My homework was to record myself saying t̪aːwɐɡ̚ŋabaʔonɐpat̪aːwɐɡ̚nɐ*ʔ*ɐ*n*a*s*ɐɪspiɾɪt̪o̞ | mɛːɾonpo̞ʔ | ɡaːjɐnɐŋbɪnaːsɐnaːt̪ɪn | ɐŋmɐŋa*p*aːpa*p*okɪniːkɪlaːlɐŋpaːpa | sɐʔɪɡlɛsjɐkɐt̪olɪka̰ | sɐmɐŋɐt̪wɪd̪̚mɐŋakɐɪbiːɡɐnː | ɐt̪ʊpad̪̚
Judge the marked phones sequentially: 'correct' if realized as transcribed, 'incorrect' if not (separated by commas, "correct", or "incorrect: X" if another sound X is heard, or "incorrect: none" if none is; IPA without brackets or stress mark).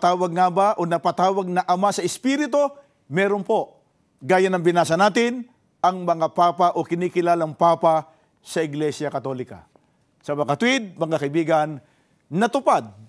correct, incorrect: m, correct, correct, incorrect: ʔ